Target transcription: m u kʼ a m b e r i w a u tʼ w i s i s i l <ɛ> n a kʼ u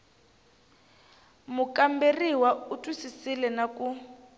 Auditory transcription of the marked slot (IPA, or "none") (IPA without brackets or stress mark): ɛ